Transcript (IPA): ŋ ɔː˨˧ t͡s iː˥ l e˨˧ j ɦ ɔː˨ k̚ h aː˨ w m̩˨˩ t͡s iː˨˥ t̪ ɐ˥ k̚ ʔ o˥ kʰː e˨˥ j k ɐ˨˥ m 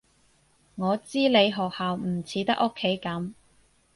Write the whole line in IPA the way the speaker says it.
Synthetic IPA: ŋ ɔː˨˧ t͡s iː˥ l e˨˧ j ɦ ɔː˨ k̚ h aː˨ w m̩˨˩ t͡sʰ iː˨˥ t̪ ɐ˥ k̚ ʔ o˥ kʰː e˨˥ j k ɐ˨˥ m